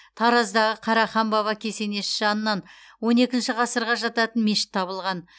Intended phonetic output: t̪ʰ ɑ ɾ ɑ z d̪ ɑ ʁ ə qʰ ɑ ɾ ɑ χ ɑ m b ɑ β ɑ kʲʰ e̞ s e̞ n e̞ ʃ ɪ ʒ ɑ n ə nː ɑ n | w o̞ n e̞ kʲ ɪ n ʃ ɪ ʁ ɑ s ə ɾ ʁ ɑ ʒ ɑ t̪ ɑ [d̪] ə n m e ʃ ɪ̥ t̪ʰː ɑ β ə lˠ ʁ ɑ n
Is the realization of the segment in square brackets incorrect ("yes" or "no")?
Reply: yes